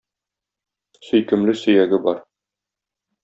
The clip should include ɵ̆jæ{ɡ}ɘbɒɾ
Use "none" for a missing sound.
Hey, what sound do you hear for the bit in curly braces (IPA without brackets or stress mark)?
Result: ɡ